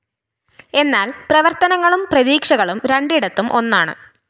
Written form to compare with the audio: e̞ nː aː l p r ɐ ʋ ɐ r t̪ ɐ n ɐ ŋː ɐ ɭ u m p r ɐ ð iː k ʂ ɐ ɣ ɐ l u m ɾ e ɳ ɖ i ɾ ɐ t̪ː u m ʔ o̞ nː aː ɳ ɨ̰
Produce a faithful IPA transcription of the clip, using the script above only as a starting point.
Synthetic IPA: e̞ nː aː l p r ɐ ʋ ɐ r t̪ ɐ n ɐ ŋː ɐ ɭ u m p r ɐ ð iː k ʂ ɐ ɣ ɐ ɭ u m ɾ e ɳ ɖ i ɽ ɐ t̪ː u m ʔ o̞ nː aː ɳ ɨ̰